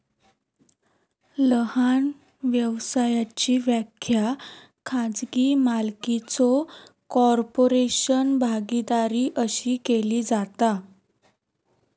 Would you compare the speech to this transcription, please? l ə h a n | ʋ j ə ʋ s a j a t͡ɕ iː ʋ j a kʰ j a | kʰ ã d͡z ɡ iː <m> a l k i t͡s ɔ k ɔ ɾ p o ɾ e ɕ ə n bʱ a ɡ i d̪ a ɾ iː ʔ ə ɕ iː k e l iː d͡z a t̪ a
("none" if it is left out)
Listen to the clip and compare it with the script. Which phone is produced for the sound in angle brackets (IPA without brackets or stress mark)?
m